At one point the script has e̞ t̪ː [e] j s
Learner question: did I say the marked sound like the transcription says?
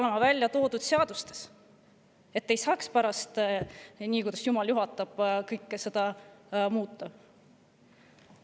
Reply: yes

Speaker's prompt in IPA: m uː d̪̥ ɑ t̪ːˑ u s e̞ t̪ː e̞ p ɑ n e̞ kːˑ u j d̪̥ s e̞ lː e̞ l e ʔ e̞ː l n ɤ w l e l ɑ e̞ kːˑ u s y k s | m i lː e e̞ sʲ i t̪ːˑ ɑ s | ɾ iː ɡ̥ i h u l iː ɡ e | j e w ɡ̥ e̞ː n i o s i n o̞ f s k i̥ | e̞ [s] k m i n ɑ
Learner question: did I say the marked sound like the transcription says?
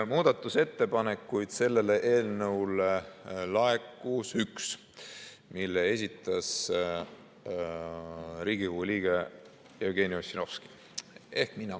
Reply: no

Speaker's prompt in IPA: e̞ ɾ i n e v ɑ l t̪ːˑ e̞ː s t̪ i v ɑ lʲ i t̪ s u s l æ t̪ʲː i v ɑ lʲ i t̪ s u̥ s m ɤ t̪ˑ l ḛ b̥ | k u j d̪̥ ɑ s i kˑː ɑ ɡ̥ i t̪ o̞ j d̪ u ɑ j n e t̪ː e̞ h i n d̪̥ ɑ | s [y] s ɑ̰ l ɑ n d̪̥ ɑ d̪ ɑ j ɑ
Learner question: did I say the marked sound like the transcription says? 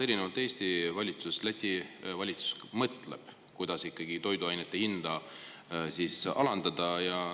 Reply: no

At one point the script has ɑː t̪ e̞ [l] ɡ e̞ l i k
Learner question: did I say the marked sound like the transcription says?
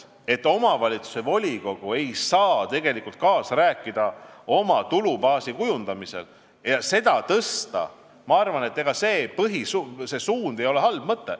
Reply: no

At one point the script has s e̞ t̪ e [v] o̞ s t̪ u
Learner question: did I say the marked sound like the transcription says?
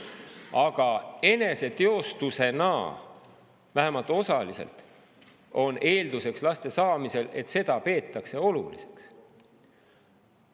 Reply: no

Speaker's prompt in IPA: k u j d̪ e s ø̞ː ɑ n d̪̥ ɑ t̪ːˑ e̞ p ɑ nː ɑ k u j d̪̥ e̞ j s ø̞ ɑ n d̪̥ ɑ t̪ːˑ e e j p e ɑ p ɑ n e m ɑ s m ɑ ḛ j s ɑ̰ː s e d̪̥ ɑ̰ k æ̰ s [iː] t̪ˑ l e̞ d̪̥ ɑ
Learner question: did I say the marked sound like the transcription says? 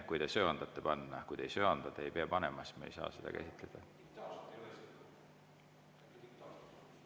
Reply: no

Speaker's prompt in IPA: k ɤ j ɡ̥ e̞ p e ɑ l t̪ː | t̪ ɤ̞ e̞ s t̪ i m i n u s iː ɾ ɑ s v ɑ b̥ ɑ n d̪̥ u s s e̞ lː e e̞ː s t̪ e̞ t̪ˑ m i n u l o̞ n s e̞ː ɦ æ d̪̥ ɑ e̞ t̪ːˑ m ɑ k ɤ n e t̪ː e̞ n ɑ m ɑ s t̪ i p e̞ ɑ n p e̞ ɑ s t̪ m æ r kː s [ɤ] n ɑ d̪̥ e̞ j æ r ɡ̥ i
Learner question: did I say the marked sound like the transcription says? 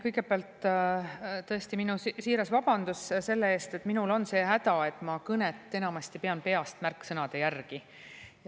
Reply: yes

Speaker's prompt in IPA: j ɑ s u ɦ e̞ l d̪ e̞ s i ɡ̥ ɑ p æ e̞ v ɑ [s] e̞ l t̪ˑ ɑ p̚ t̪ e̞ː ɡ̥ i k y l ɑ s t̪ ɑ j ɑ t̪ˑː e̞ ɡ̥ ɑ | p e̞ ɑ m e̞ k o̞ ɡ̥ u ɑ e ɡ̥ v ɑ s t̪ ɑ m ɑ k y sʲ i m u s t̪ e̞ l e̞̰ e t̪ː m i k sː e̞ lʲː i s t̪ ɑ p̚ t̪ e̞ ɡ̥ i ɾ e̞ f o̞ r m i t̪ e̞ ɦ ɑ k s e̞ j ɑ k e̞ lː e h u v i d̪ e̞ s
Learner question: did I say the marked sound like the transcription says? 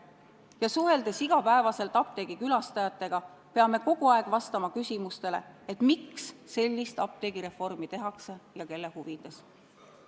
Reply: yes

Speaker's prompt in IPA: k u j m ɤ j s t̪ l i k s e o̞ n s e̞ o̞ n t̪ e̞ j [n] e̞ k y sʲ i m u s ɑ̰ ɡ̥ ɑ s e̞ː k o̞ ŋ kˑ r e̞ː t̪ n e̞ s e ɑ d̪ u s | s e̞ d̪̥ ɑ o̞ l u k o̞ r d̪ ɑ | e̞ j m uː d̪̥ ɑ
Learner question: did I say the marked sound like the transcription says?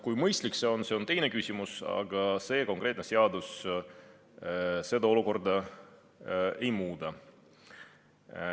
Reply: yes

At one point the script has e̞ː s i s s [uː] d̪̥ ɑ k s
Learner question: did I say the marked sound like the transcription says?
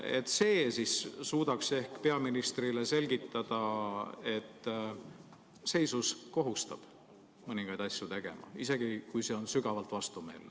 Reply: yes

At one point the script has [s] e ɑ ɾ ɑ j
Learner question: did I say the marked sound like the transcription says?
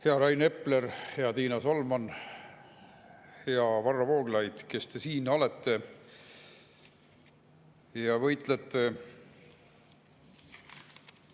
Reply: no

